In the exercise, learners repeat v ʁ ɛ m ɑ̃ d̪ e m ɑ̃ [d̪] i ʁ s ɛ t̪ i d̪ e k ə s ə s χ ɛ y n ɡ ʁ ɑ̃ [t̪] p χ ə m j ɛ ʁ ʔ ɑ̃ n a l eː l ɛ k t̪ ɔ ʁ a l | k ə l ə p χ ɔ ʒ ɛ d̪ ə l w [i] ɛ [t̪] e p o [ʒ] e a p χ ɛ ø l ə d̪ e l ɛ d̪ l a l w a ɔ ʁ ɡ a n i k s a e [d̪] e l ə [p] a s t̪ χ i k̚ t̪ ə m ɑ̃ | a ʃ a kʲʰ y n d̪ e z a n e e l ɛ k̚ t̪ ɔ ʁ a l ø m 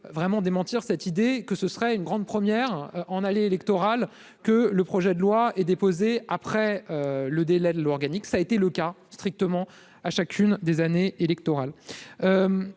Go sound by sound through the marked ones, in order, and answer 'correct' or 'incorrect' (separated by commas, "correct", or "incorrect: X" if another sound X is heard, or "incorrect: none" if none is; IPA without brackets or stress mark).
incorrect: t̪, incorrect: d̪, incorrect: a, incorrect: d̪, incorrect: z, incorrect: t̪, incorrect: k